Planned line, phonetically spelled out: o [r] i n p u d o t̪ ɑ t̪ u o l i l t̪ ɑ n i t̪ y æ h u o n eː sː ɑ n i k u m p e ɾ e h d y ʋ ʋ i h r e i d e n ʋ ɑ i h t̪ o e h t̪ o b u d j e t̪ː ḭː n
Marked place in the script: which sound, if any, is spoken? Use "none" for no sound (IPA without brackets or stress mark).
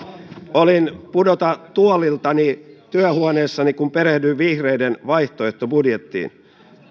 l